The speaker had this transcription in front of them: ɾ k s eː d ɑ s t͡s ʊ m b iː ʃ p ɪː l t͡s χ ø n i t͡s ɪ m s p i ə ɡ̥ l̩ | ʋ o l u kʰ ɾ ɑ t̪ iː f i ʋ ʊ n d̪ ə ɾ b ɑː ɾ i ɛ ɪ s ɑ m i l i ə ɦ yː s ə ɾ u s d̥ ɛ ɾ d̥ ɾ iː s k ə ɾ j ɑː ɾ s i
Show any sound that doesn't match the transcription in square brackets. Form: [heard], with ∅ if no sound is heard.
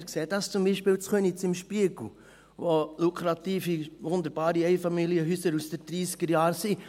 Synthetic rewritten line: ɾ k s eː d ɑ s t͡s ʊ m b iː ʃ p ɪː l t͡s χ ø n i t͡s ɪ m [ʃ] p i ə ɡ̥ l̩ | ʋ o l u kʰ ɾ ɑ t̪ iː f i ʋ ʊ n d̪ ə ɾ b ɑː ɾ i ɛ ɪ [f] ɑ m i l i ə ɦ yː s ə ɾ u s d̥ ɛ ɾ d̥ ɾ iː s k ə ɾ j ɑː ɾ s i